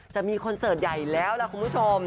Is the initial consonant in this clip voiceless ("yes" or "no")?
yes